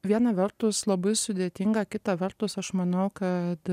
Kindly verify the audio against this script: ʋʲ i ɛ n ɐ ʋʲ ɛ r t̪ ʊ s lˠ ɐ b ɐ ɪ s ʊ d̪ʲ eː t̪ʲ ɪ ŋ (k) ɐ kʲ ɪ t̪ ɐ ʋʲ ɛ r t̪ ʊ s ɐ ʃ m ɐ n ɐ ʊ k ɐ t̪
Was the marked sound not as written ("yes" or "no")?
yes